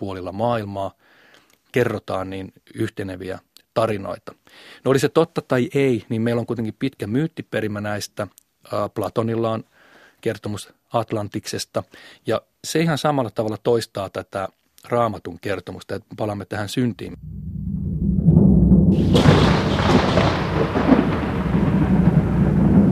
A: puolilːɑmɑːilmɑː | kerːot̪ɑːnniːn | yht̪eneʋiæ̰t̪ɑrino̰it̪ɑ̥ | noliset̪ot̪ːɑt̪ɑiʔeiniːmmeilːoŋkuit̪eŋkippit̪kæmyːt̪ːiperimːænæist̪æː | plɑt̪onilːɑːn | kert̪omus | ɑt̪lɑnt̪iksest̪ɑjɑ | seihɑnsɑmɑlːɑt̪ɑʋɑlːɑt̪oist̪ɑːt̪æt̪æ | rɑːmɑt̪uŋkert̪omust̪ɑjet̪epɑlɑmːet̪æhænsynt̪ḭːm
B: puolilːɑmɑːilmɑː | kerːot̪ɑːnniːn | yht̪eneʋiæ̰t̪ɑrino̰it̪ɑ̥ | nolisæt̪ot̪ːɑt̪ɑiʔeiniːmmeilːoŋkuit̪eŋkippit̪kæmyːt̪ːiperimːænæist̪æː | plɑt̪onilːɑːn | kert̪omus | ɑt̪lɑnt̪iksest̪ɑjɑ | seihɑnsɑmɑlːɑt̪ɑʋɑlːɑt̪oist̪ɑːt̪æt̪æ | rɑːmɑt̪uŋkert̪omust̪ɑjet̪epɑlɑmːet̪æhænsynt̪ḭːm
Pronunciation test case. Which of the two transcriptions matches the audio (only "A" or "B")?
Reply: A